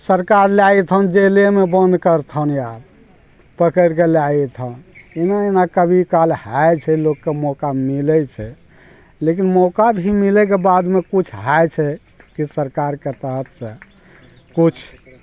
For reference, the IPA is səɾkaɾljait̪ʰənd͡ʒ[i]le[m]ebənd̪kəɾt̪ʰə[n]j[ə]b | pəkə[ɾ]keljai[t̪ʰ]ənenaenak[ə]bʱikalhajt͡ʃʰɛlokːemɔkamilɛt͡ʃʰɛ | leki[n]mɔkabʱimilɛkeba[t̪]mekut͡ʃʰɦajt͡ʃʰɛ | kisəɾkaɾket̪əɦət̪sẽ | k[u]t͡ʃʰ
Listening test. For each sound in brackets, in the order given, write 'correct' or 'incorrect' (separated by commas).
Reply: incorrect, correct, correct, incorrect, correct, correct, correct, correct, incorrect, correct